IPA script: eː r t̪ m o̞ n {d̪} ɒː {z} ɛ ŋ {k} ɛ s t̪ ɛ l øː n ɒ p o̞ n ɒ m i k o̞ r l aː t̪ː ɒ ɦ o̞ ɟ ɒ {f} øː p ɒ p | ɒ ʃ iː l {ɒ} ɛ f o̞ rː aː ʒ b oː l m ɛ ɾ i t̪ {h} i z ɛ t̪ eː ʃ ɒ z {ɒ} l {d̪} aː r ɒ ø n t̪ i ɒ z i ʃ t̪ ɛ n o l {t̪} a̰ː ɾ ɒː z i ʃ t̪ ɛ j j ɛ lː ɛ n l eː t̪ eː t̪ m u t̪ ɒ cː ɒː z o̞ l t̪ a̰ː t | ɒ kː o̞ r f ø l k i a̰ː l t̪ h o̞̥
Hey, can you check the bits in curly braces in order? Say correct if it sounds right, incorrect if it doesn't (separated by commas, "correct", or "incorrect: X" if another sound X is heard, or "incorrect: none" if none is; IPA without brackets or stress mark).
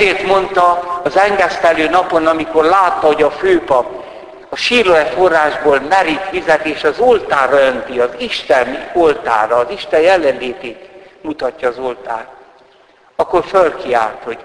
incorrect: t̪, correct, incorrect: ɡ, correct, incorrect: o, incorrect: f, incorrect: o, incorrect: t̪, correct